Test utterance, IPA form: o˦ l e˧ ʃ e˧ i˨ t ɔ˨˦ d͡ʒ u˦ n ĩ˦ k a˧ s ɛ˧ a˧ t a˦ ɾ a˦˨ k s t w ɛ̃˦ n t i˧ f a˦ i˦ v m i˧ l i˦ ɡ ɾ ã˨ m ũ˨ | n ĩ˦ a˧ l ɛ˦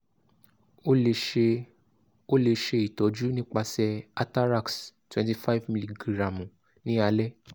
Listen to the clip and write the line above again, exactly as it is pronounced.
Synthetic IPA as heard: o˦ l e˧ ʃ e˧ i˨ t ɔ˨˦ d͡ʒ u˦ n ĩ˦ k͡p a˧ s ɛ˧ a˧ t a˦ ɾ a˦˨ k s t w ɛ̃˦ n t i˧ f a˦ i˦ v m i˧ l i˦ ɡ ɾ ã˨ m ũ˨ | n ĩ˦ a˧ l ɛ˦